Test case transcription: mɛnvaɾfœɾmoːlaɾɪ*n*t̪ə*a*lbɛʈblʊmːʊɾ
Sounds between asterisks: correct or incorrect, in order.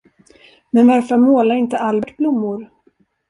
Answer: correct, correct

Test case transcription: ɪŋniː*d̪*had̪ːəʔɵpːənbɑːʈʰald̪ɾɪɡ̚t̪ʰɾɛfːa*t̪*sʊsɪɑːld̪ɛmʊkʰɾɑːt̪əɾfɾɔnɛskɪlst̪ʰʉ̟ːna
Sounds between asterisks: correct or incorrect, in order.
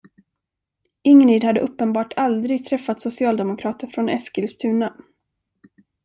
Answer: correct, correct

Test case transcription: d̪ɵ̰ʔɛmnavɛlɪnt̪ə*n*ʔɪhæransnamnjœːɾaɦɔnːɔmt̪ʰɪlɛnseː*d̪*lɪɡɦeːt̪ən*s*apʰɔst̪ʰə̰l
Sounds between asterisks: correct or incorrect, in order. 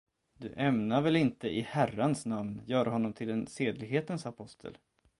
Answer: incorrect, correct, correct

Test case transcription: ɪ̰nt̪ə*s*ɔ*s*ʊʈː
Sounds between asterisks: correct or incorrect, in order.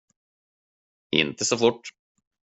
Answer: correct, incorrect

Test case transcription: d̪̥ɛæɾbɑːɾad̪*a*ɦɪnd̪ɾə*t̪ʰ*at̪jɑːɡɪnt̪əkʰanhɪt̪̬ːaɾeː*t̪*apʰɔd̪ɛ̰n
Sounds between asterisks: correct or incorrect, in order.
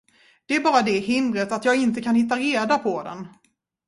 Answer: incorrect, incorrect, incorrect

